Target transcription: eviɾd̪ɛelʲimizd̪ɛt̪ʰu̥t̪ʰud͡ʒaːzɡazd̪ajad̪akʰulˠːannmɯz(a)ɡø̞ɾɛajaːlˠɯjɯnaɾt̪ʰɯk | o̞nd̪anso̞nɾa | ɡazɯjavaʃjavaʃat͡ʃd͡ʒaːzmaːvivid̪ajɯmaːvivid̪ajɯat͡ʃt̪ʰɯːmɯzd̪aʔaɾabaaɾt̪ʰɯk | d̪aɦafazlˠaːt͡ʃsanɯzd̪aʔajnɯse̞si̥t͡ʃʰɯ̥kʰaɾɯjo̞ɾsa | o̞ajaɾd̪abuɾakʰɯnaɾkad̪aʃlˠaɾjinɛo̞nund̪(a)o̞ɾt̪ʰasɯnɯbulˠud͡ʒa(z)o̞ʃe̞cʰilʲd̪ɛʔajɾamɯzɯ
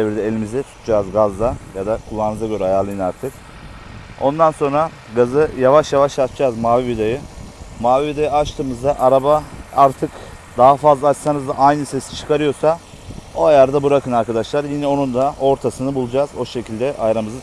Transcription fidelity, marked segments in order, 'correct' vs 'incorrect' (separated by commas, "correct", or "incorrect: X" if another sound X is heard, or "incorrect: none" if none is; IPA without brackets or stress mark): correct, correct, correct